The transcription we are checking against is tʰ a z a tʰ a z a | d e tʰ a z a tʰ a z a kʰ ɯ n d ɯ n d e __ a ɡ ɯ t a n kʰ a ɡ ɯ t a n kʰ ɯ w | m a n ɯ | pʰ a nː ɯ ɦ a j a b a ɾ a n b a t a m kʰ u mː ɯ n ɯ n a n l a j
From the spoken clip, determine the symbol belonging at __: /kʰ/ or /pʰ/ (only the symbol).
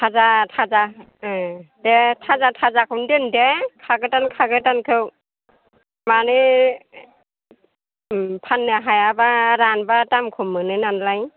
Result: kʰ